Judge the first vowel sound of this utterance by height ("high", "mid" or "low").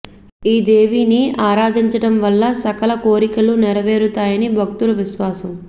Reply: high